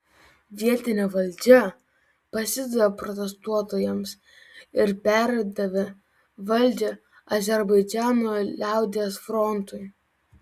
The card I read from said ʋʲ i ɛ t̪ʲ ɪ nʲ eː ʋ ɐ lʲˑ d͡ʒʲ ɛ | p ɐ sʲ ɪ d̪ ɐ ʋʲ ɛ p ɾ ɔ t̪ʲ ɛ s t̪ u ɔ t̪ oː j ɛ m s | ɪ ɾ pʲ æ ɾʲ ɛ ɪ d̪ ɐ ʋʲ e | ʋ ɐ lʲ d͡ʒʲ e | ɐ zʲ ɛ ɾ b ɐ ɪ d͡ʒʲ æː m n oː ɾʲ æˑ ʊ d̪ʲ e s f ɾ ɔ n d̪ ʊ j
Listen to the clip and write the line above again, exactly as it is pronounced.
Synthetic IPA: ʋʲ i ɛ t̪ʲ ɪ nʲ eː ʋ ɐ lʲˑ d͡ʒʲ ɛ | p ɐ sʲ ɪ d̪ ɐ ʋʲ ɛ p ɾ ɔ t̪ʲ ɛ s t̪ u ɔ t̪ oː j ɛ m s | ɪ ɾ pʲ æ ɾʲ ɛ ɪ d̪ ɐ ʋʲ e | ʋ ɐ lʲ d͡ʒʲ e | ɐ zʲ ɛ ɾ b ɐ ɪ d͡ʒʲ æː n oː lʲ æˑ ʊ d̪ʲ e s f ɾ ɔ n t̪ ʊ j